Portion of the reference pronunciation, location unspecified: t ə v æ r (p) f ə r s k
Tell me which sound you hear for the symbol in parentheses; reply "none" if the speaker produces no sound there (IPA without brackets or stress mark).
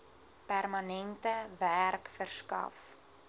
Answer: k